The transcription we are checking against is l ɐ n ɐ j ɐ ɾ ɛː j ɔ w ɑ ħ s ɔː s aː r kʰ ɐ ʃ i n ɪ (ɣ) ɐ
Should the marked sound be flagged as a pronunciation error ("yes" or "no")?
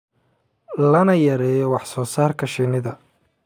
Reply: yes